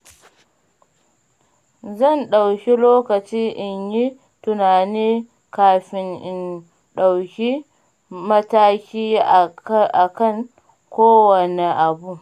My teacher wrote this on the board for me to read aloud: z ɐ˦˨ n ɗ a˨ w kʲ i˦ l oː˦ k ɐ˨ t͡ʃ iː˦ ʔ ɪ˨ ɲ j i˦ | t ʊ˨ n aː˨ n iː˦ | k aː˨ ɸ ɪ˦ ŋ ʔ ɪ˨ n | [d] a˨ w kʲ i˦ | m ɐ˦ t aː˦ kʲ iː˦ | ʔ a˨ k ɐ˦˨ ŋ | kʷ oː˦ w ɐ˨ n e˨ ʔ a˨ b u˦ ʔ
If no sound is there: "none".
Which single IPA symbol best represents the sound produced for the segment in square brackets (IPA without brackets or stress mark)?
ɗ